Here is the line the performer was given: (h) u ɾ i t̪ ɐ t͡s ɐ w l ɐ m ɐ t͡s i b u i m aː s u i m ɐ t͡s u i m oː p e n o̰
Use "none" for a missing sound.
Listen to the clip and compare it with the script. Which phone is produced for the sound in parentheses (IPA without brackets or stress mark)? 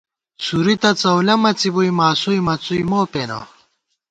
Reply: s